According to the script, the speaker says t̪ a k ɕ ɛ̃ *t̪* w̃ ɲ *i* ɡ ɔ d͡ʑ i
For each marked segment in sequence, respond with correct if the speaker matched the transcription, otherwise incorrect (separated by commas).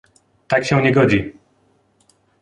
incorrect, incorrect